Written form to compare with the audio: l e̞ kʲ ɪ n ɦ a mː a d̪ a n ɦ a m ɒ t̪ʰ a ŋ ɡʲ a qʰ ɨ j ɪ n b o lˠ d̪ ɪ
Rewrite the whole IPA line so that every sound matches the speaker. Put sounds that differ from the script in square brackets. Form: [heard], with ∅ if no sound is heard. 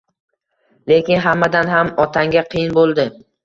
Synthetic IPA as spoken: l e̞ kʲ ɪ n ɦ a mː a d̪ a n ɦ a m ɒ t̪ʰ a ŋ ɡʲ a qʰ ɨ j ɪ n b o lˠ d̪ ɪ

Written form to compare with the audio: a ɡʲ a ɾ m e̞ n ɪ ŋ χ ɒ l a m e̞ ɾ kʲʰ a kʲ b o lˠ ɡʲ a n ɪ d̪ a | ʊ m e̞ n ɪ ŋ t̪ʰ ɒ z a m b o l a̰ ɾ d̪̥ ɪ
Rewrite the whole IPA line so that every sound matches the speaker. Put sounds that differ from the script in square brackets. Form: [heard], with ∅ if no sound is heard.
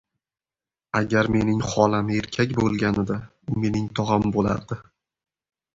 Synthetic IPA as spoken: a ɡʲ a ɾ m e̞ n ɪ ŋ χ ɒ l a m e̞ ɾ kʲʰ a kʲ b o lˠ ɡʲ a n ɪ d̪ a | ʊ m e̞ n ɪ ŋ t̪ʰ ɒ [ʁ] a m b o l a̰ ɾ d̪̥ ɪ

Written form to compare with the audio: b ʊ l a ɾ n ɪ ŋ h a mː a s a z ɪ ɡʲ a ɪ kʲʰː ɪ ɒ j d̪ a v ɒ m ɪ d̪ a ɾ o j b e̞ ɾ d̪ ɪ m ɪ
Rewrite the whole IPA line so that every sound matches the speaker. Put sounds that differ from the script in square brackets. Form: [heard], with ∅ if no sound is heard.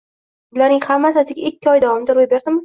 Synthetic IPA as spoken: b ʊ l a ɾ n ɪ ŋ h a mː a s a [s] ɪ ɡʲ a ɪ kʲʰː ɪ ɒ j d̪ a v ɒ m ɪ d̪ a ɾ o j b e̞ ɾ d̪ ɪ m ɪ

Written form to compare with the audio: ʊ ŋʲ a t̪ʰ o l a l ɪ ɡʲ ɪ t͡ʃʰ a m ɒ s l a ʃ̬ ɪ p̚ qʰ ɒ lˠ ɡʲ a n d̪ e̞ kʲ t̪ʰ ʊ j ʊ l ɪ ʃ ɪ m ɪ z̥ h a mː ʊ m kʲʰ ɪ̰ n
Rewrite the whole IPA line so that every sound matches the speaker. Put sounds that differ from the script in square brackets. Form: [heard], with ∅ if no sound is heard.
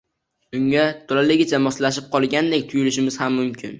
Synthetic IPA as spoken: ʊ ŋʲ a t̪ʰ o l a l ɪ ɡʲ ɪ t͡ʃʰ a m ɒ s l a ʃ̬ ɪ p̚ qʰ ɒ lˠ ɡʲ a n d̪ e̞ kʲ t̪ʰ ʊ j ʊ l ɪ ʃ ɪ m ɪ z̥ h a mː ʊ m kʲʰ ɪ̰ n

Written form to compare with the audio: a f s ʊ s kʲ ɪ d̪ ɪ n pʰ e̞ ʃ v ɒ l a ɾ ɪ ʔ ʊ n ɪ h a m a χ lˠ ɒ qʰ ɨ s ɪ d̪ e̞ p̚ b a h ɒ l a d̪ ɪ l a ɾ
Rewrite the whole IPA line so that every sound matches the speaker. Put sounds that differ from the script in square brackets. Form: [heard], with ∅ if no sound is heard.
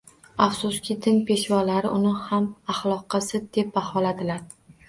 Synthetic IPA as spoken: a f s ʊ s kʲ ɪ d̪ ɪ n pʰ e̞ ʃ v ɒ l a ɾ ɪ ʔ ʊ n ɪ h a m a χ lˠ ɒ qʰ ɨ s ɪ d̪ e̞ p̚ b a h ɒ l a d̪ ɪ l a ɾ

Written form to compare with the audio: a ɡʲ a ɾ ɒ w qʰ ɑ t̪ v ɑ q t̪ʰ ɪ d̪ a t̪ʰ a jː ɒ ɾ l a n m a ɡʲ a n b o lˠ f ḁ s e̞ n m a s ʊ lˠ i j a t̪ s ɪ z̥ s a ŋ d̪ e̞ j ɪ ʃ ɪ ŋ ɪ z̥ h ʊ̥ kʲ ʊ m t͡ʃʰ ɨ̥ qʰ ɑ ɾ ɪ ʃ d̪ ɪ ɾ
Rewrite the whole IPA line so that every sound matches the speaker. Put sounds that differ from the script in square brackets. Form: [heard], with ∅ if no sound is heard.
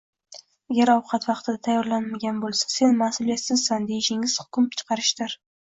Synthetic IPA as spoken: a ɡʲ a ɾ ɒ w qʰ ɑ t̪ v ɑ q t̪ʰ ɪ d̪ a t̪ʰ a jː ɒ ɾ l a n m a ɡʲ a n b o lˠ [s] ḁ s e̞ n m a s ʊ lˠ i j a t̪ s ɪ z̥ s a [n] d̪ e̞ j ɪ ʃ ɪ ŋ ɪ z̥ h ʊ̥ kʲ ʊ m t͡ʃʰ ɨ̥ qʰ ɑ ɾ ɪ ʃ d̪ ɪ ɾ

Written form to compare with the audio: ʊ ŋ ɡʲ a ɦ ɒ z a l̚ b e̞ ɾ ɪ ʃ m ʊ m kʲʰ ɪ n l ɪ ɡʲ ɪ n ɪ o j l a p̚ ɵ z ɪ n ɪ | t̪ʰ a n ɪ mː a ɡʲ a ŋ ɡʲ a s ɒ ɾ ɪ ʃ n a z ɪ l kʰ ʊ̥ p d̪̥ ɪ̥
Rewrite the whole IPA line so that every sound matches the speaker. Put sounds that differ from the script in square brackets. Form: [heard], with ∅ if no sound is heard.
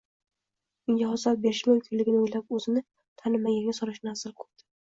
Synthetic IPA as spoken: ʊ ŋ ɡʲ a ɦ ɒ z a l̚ b e̞ ɾ ɪ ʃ m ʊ m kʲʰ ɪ n l ɪ ɡʲ ɪ n ɪ o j l a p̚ ɵ z ɪ n ɪ | t̪ʰ a n ɪ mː a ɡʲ a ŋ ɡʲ a s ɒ ɾ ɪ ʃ n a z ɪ l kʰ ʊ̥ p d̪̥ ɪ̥

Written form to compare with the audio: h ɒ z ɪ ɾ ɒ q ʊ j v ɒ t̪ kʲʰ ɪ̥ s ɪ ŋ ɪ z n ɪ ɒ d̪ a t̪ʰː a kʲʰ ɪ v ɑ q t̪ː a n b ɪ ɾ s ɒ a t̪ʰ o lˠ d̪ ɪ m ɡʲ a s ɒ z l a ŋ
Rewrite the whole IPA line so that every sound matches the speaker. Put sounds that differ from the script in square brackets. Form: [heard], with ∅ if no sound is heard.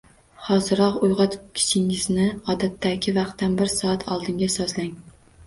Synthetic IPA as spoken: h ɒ z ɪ ɾ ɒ q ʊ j [ʁ] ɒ t̪ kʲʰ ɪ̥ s ɪ ŋ ɪ z n ɪ ɒ d̪ a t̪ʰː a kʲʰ ɪ v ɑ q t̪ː a n b ɪ ɾ s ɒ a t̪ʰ [ɒ] lˠ d̪ ɪ [ŋ] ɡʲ a s ɒ z l a ŋ

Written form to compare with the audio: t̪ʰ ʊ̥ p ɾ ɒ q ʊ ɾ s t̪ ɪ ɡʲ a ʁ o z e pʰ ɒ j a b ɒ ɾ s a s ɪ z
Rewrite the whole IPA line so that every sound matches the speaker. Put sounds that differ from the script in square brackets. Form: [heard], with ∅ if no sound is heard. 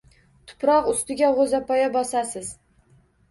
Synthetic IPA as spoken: t̪ʰ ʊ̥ p ɾ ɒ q ʊ [∅] s t̪ ɪ ɡʲ a ʁ o z [a] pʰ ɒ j a b ɒ [∅] s a s ɪ z

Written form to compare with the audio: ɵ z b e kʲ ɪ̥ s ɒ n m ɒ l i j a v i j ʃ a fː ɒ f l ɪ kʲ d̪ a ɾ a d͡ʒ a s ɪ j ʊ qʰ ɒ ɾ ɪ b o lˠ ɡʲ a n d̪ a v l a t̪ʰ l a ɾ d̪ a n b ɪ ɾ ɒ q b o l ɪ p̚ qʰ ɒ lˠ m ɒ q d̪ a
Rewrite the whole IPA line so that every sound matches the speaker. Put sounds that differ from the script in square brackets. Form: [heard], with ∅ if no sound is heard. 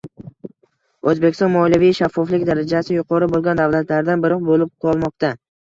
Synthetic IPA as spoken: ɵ z b e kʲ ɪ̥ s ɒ n m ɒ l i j a v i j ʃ a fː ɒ f l ɪ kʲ d̪ a ɾ a d͡ʒ a s ɪ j ʊ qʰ ɒ ɾ ɪ b o lˠ ɡʲ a n d̪ a v l a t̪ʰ l a ɾ d̪ a n b ɪ ɾ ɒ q b o l ɪ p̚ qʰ ɒ lˠ m ɒ q [t̪] a

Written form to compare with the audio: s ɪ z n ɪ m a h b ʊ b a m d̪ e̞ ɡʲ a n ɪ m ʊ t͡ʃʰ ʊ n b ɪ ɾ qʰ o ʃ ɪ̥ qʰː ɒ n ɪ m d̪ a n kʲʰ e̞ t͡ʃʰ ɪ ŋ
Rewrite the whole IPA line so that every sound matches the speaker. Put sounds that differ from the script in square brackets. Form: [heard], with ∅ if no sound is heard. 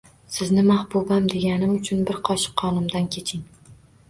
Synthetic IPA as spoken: s ɪ z n ɪ m a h b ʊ b a m d̪ e̞ ɡʲ a n ɪ m ʊ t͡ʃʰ ʊ n b ɪ ɾ qʰ [ɒ] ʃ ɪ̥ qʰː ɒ n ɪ m d̪ a n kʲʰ e̞ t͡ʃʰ ɪ ŋ

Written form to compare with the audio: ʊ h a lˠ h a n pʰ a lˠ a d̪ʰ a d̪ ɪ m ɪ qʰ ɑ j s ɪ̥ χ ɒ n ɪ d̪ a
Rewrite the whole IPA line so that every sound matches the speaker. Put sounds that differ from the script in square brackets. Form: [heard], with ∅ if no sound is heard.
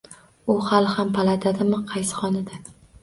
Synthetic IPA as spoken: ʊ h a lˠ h a [m] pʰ a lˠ a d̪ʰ a d̪ ɪ m ɪ qʰ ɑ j s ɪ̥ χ ɒ n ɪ d̪ a

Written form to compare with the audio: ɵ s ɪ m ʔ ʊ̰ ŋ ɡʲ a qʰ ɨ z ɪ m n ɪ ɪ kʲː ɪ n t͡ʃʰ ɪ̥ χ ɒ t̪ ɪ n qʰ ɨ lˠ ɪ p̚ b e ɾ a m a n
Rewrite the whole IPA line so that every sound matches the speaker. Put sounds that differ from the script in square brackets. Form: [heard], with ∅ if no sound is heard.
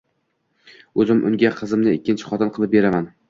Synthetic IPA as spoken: ɵ [z] ɪ m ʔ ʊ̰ ŋ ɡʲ a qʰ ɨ z ɪ m n ɪ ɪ kʲː ɪ n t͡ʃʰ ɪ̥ χ ɒ t̪ ɪ n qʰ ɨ lˠ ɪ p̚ b e ɾ a m a n

